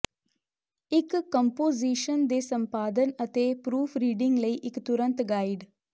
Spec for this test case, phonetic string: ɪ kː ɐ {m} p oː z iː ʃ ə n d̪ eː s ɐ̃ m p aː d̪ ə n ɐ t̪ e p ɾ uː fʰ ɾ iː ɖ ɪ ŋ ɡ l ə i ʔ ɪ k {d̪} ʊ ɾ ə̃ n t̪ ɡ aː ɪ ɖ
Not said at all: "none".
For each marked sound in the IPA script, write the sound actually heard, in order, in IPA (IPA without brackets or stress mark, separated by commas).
m, t̪